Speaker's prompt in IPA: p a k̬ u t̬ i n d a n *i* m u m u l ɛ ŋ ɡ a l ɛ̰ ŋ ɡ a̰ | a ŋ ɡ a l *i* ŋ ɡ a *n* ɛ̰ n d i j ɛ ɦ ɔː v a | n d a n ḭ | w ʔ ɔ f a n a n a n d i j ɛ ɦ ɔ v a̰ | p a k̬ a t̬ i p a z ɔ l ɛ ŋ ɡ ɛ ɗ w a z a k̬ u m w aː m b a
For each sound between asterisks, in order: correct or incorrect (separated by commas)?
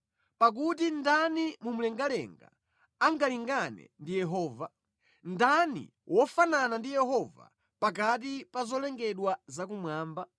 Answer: correct, correct, correct